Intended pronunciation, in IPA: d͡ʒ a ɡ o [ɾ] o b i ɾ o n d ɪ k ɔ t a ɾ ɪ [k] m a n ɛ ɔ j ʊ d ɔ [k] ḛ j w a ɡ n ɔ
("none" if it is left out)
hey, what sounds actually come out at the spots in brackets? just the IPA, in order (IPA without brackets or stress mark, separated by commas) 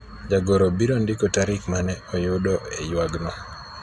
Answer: ɾ, k, none